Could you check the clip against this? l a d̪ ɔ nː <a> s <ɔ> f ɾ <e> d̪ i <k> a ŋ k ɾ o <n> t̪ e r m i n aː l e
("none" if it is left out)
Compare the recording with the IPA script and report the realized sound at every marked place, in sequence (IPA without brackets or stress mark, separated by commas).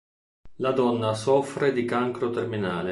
a, ɔ, e, k, none